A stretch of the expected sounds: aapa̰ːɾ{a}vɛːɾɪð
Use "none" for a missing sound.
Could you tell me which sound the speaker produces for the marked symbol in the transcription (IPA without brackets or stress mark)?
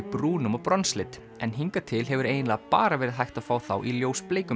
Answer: a